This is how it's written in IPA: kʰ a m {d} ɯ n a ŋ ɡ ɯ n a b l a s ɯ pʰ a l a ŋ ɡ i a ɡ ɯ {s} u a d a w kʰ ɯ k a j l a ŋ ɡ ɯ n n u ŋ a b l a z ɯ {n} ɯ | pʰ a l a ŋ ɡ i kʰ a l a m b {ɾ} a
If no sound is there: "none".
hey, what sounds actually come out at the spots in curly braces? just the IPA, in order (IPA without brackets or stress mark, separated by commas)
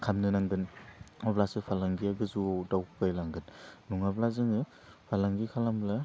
n, z, ŋ, l